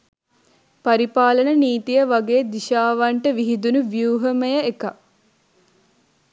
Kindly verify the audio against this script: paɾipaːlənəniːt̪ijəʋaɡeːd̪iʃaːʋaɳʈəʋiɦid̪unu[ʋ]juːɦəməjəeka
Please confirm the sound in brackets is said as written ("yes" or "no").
yes